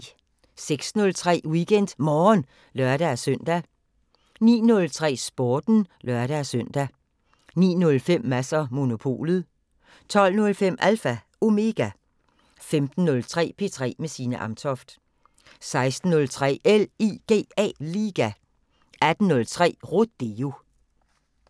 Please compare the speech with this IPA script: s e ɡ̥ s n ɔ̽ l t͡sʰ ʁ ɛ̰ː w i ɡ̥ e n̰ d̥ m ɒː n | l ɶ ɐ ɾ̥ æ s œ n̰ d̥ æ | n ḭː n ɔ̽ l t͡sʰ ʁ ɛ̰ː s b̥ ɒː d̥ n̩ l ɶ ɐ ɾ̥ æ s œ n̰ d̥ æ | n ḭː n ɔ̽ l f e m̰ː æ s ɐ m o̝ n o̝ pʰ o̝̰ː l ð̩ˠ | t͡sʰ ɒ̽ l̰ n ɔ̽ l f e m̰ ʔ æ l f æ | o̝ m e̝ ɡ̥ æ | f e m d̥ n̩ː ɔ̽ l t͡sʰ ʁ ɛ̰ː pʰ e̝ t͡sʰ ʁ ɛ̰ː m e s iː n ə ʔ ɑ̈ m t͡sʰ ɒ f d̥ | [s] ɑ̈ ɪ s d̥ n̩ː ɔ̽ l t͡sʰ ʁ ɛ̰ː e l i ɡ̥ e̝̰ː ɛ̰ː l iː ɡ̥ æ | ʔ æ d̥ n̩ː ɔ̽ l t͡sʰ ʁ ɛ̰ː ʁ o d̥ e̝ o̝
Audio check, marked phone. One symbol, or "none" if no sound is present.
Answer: s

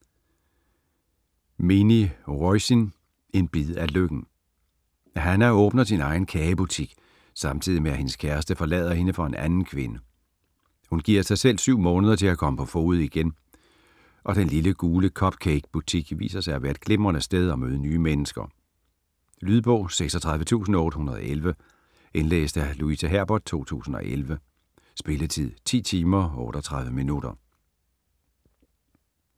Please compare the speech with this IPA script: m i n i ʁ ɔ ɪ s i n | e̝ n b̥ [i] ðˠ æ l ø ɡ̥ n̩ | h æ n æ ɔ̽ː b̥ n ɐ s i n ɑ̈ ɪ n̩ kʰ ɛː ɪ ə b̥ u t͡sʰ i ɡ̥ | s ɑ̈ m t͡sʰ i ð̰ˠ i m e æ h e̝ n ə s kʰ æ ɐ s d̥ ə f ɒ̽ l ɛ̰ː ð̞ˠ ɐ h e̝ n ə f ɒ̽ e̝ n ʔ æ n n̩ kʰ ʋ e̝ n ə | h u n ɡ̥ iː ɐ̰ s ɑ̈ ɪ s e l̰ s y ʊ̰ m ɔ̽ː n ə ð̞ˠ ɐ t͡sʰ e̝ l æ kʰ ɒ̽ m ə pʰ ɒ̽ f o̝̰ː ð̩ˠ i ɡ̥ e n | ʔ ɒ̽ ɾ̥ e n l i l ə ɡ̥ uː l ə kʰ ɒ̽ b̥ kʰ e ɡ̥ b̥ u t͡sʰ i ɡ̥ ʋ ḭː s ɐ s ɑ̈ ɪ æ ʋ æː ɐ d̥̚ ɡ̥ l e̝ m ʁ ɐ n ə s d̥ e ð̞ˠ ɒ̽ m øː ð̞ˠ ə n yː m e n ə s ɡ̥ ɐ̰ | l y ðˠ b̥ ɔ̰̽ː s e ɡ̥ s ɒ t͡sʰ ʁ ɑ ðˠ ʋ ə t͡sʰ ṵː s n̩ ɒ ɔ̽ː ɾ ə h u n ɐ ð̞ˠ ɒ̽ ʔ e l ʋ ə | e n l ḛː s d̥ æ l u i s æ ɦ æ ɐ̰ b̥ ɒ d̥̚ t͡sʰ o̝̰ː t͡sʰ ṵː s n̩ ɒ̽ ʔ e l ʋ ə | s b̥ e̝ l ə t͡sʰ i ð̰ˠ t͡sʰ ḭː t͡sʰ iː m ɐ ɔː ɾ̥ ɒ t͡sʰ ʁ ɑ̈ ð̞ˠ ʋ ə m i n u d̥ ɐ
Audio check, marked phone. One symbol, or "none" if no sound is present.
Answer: i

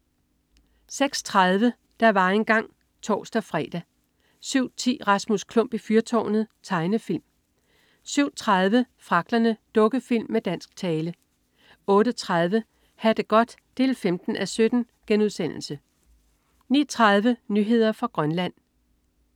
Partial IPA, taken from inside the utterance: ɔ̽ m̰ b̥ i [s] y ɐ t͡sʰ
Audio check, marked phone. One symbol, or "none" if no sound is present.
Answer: f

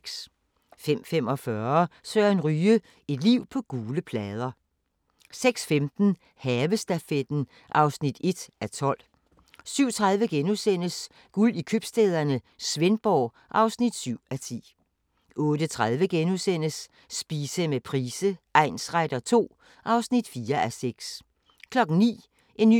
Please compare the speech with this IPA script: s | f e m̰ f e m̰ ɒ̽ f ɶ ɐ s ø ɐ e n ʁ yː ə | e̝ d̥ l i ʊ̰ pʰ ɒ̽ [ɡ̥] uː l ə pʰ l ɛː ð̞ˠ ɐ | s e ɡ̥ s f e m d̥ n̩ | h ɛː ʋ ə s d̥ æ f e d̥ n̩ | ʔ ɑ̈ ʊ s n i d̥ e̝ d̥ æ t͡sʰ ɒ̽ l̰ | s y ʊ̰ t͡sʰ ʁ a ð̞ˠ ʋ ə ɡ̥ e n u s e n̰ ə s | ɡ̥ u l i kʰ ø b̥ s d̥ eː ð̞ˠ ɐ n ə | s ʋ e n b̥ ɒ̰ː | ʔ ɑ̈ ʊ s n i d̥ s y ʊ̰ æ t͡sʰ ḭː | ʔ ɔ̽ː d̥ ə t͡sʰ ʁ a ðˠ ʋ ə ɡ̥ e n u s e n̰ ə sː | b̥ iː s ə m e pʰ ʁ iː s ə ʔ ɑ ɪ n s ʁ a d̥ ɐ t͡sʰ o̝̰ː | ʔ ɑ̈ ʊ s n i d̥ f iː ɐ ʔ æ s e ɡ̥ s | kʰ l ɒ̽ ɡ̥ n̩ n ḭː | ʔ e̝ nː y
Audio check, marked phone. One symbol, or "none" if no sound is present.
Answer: ɡ̥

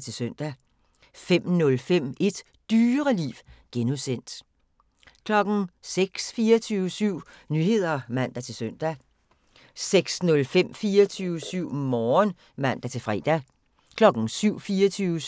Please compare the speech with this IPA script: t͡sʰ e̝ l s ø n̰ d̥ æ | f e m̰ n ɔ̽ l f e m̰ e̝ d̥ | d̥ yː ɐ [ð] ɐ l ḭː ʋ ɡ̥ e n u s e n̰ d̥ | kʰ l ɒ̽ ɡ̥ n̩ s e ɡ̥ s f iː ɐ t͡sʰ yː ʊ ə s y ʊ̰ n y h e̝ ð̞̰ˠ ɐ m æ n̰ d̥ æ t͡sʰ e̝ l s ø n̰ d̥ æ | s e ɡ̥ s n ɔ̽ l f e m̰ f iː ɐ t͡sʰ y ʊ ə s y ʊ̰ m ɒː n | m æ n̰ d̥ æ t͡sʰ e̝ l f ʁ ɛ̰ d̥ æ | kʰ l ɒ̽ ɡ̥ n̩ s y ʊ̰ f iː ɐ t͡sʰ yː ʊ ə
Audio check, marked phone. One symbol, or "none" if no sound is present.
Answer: ʁ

